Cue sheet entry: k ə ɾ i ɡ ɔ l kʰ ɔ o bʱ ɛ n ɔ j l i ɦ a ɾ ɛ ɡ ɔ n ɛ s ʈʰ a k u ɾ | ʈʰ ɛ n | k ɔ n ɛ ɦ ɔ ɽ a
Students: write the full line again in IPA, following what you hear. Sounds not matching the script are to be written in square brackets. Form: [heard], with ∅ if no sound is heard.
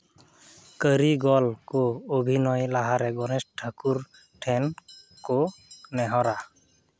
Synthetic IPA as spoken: k ə ɾ i ɡ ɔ l [k] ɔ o bʱ [i] n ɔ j l [a] ɦ a ɾ ɛ ɡ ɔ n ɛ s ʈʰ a k u ɾ | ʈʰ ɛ n | k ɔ n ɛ ɦ ɔ [ɾ] a